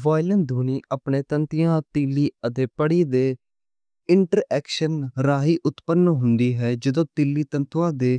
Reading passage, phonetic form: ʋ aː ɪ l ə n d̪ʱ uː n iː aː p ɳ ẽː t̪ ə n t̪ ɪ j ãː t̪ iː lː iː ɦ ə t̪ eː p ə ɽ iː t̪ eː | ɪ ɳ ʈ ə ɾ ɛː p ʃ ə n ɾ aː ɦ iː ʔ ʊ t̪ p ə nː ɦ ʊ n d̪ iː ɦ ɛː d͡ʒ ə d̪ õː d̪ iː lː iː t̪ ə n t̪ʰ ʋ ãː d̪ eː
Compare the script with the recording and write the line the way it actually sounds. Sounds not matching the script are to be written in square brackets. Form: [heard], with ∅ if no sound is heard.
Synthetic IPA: ʋ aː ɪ l ə n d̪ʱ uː n iː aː p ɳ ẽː t̪ ə n t̪ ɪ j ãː t̪ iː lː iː [∅] ə t̪ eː p ə ɽ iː [d̪] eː | ɪ ɳ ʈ ə ɾ ɛː [k] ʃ ə n ɾ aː ɦ iː ʔ ʊ t̪ p ə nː ɦ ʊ n d̪ iː ɦ ɛː d͡ʒ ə d̪ õː [t̪] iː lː iː t̪ ə n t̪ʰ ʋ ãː d̪ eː